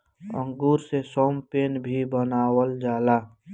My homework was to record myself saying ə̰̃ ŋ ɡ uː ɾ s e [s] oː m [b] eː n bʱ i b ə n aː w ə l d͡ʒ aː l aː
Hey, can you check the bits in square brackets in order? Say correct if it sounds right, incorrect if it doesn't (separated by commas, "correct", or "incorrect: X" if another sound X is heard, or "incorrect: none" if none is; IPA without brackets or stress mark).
correct, incorrect: p